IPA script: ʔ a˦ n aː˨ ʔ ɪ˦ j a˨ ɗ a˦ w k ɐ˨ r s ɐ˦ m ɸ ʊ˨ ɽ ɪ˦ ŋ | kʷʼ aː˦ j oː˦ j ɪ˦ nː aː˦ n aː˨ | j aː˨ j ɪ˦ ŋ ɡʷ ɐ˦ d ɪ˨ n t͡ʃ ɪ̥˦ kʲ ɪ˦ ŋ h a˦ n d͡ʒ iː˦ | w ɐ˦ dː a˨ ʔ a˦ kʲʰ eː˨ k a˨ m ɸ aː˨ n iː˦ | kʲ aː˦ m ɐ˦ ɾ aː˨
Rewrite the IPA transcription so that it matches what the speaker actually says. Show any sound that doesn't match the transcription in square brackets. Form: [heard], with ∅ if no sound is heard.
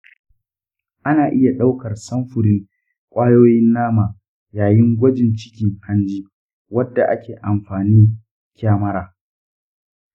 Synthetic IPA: ʔ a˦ n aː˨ ʔ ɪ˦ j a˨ ɗ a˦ w k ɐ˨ r s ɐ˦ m ɸ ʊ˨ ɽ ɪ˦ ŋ | kʷʼ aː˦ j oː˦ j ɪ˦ nː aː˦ [m] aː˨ | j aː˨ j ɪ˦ ŋ ɡʷ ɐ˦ [d͡ʒ] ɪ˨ n t͡ʃ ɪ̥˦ kʲ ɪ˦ ŋ h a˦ n d͡ʒ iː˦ | w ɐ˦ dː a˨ ʔ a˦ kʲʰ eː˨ [ʔ] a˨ m ɸ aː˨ n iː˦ | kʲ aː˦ m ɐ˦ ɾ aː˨